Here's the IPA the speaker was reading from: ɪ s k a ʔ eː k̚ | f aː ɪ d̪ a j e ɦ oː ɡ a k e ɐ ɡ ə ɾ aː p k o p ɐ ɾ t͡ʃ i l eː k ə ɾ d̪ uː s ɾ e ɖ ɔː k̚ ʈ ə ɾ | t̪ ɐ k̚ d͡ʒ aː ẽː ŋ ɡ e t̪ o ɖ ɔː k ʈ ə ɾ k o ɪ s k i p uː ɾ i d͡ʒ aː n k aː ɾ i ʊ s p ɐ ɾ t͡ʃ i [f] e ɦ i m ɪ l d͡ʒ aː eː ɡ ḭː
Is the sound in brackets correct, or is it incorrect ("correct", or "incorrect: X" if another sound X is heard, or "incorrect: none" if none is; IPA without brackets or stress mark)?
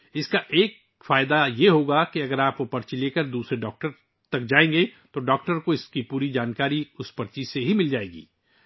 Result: incorrect: s